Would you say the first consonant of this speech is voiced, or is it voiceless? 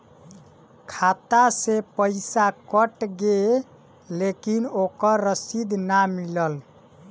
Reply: voiceless